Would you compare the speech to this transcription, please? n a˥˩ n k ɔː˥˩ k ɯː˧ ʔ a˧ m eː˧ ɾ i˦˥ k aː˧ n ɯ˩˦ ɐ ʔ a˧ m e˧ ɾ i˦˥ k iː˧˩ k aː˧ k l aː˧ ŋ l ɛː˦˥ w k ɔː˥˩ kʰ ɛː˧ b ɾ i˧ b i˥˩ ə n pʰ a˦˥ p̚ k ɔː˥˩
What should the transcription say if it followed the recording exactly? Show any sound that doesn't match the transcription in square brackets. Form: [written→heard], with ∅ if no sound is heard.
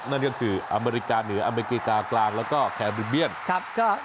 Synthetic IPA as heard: n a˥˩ n k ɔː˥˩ [k→kʰ] ɯː˧ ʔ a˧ m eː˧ ɾ i˦˥ k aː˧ n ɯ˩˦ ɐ ʔ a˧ m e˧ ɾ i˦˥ k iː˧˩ k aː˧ k l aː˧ ŋ l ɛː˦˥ w k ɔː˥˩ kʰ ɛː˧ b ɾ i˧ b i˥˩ ə n [pʰ→kʰ] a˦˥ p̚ k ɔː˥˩